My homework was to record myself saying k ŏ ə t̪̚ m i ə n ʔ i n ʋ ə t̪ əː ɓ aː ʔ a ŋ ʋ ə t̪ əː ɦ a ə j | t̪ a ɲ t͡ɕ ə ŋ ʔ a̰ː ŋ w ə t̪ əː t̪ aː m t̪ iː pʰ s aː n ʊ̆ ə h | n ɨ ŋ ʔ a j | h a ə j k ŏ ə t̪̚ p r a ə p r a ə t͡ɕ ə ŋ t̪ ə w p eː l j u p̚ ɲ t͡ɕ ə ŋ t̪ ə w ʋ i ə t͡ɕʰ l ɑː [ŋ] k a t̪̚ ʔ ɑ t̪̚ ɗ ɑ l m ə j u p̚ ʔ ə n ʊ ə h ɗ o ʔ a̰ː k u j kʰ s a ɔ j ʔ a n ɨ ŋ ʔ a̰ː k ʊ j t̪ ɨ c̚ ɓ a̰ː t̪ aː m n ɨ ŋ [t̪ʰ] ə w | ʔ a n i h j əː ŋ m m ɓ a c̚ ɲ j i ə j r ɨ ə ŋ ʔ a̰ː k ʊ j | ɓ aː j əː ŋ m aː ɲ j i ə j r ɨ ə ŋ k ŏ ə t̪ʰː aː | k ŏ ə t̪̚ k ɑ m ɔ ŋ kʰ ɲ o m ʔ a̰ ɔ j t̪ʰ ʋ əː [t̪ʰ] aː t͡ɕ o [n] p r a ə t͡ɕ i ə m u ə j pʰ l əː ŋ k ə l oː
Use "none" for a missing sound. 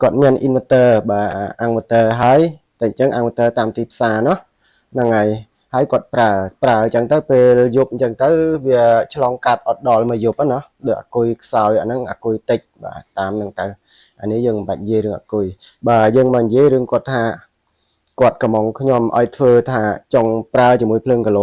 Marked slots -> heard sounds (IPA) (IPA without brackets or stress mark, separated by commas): ŋ, t̪, t̪ʰ, ŋ